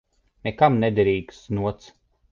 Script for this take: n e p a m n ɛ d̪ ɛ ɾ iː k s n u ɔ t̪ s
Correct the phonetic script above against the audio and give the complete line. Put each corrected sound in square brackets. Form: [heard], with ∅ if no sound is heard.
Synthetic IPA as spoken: n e [k] a m n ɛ d̪ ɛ ɾ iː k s n u ɔ t̪ s